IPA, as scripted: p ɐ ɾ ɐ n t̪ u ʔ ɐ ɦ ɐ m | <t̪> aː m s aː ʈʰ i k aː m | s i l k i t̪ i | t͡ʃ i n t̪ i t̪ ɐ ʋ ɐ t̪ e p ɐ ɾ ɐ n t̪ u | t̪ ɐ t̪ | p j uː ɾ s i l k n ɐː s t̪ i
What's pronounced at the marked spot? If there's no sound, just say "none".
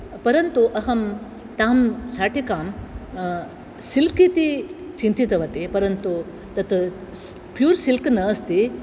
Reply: t̪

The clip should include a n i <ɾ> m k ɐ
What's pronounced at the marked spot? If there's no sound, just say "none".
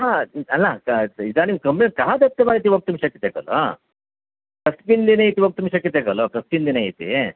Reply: none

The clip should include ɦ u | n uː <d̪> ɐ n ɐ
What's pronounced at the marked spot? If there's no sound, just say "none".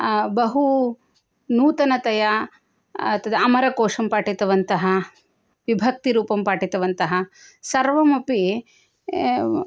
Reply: t̪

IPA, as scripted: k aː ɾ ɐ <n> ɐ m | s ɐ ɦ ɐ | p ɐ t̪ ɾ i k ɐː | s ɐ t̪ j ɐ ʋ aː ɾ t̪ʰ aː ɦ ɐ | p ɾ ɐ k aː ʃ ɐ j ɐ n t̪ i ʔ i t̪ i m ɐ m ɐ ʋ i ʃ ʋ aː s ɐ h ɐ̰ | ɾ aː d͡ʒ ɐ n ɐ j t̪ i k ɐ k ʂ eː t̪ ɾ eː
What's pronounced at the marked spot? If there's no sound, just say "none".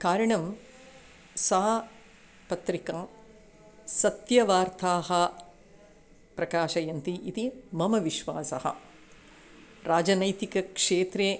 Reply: ɳ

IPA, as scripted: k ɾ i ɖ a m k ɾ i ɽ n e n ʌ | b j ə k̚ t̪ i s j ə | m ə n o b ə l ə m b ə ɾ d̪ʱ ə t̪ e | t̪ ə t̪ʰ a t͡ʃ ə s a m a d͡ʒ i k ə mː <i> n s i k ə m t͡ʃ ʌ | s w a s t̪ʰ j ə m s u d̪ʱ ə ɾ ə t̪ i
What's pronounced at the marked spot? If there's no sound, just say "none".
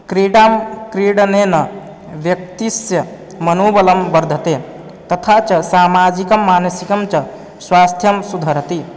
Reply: a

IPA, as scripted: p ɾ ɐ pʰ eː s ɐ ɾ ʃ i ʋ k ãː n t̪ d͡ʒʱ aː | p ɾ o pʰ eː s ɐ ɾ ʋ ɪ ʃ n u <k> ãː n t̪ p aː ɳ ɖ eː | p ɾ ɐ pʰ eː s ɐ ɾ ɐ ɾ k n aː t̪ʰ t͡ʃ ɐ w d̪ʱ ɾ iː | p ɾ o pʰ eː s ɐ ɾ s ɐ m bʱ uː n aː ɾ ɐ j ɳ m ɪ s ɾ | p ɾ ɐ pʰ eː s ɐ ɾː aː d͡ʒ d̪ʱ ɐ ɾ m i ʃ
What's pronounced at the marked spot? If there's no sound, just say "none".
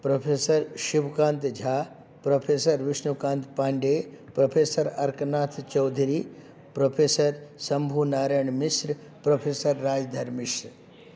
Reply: k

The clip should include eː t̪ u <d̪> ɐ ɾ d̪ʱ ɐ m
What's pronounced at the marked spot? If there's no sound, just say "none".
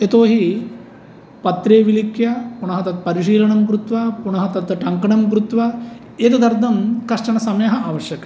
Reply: d̪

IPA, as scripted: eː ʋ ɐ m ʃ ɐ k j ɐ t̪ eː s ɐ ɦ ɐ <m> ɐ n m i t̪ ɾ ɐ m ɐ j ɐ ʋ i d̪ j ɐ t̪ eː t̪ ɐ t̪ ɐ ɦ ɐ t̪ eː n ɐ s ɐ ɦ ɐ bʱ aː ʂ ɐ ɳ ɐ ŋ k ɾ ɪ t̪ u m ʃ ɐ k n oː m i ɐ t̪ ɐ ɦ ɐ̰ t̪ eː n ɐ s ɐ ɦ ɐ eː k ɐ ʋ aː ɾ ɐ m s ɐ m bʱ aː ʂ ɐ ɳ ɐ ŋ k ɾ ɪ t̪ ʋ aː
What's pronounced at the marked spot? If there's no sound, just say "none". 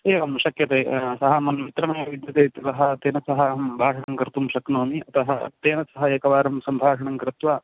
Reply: m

